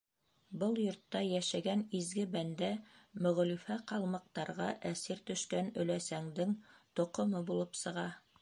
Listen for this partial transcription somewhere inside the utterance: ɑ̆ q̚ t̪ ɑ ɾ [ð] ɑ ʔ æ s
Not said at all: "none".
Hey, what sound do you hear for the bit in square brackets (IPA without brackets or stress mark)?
ʁ